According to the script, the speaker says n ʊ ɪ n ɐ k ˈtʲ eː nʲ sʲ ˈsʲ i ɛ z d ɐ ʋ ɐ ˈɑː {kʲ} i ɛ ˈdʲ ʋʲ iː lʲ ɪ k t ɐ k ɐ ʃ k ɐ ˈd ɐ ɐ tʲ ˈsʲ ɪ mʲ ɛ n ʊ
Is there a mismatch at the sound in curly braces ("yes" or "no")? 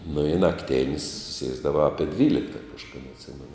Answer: yes